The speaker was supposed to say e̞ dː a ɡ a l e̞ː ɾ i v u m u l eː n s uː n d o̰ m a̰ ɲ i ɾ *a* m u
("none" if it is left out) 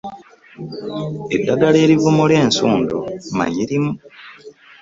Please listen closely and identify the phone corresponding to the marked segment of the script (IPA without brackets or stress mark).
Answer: i